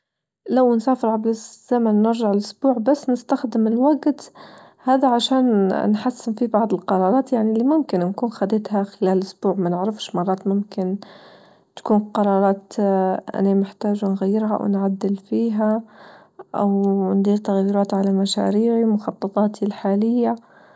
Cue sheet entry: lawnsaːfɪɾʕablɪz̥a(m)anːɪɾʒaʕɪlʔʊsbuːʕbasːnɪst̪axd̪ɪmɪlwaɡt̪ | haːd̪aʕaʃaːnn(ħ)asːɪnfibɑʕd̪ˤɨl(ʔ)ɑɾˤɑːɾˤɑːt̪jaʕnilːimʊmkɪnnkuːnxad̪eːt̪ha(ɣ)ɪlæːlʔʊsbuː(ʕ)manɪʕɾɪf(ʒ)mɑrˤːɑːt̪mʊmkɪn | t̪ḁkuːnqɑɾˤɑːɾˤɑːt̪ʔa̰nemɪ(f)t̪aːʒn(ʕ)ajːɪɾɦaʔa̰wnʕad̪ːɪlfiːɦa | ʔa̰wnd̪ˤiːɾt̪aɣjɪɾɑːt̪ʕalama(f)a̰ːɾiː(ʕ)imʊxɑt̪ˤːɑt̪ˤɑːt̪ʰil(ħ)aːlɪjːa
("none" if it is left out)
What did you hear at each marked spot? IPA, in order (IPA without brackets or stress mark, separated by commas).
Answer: m, ħ, q, x, ʕ, ʃ, ħ, ɣ, ʃ, ʕ, ħ